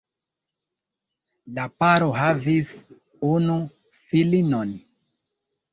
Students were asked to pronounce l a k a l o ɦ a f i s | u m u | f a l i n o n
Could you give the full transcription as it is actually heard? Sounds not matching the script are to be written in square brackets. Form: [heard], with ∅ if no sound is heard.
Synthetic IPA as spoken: l a [p] a [ɾ] o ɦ a [v] i s | u [n] u | f [i] l i n o n